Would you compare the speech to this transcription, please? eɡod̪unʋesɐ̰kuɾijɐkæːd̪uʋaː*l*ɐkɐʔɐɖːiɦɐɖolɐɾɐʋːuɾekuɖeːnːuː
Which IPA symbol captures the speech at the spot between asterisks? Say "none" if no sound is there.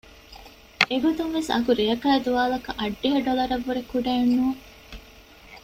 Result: l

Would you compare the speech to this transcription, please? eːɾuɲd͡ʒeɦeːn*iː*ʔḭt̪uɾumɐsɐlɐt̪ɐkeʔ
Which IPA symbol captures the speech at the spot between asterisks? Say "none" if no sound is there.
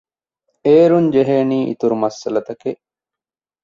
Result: iː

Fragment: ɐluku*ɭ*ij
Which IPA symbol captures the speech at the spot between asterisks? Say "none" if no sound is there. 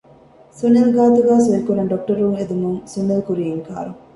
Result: ɾ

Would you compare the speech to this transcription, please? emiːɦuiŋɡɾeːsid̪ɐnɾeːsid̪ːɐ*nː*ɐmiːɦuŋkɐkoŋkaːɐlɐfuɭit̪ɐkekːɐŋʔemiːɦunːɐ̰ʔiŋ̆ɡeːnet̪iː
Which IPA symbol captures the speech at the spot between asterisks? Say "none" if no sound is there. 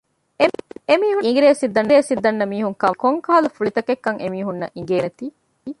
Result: nː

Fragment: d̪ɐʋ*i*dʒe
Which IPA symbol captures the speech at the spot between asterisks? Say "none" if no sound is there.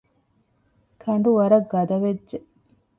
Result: e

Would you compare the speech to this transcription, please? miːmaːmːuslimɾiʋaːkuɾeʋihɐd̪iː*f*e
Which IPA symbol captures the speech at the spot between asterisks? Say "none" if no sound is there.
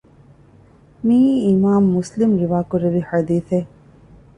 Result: θ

